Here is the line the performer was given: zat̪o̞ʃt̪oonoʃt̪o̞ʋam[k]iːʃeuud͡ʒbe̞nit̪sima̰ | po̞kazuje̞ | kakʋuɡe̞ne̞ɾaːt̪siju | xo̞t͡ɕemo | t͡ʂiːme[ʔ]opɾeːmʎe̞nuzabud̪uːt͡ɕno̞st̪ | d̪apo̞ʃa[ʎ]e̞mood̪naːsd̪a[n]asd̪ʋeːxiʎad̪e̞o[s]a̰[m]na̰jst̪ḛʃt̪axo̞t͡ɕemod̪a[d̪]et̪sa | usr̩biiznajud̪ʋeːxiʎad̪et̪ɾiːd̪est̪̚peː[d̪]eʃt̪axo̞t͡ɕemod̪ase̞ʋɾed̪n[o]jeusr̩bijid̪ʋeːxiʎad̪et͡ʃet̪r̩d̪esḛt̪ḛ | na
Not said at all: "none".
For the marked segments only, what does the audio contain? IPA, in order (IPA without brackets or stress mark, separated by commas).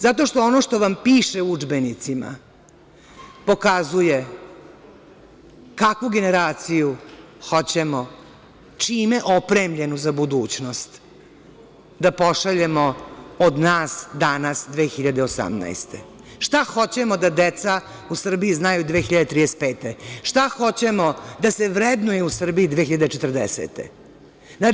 p, ʔ, ʎ, n, s, m, d̪, t̪, u